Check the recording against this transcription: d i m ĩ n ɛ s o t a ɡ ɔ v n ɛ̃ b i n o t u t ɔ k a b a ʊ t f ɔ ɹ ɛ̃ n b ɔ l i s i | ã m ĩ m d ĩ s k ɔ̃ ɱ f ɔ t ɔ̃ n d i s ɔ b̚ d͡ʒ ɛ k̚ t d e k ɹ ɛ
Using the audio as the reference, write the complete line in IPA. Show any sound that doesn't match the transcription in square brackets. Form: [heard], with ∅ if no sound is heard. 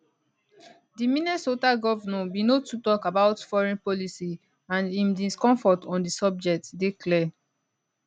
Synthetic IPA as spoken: d i m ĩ n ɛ s o t a ɡ ɔ v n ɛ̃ b i n o t u t ɔ k a b a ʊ t f ɔ ɹ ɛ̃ n [p] ɔ l i s i | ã [n] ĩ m d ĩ s k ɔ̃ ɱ f ɔ t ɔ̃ n d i s ɔ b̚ d͡ʒ ɛ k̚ t d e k [l] ɛ